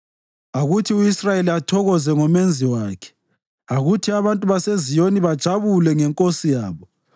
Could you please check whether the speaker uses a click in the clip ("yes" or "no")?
no